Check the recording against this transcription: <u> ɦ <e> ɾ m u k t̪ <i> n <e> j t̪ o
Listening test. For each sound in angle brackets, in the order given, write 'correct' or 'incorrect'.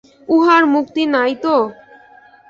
correct, incorrect, correct, incorrect

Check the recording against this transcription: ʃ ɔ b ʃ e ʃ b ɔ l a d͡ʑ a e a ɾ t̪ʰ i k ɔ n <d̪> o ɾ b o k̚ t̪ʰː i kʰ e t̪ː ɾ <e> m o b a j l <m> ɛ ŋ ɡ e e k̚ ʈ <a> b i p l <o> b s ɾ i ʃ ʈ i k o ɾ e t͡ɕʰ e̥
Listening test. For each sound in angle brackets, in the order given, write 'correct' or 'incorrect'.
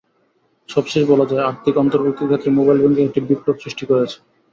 incorrect, correct, incorrect, incorrect, correct

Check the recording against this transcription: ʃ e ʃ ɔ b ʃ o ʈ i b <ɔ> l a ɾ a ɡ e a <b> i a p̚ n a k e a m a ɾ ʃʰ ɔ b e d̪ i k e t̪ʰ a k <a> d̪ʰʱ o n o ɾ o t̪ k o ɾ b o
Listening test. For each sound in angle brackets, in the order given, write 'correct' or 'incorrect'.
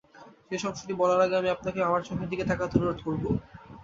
correct, incorrect, correct

